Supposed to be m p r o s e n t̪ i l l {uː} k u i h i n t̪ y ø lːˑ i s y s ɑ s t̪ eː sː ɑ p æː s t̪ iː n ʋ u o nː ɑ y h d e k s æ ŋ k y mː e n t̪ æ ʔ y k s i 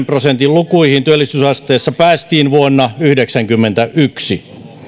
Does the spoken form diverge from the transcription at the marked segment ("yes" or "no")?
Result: yes